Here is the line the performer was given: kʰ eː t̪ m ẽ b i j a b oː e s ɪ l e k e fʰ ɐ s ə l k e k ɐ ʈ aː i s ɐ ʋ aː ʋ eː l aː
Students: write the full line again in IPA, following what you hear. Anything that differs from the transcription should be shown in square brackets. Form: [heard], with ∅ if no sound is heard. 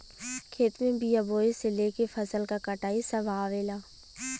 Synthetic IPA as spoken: kʰ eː t̪ m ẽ b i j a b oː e s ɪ l e k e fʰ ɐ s ə l k [a] k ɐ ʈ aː i s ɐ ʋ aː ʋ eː l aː